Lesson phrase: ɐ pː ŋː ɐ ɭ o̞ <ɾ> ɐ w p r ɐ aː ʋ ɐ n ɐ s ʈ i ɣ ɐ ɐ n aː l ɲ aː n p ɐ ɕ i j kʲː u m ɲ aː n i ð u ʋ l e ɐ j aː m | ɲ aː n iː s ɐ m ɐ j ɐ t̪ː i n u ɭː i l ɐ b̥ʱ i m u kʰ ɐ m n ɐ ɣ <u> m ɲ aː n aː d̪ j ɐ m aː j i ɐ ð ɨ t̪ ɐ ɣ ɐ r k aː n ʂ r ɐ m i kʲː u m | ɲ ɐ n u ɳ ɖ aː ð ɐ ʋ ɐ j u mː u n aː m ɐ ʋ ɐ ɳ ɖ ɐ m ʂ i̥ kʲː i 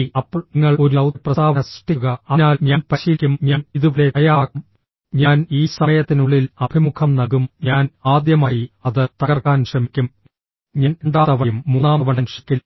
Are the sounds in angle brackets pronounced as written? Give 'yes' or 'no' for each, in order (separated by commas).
yes, yes